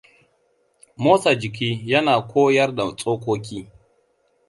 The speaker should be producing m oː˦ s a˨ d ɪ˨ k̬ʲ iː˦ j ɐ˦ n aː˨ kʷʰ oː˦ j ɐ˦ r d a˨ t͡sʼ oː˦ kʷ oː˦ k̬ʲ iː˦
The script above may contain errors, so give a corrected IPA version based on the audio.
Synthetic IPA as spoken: m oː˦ s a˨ d͡ʒ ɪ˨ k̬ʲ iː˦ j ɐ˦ n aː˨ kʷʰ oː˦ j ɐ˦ r d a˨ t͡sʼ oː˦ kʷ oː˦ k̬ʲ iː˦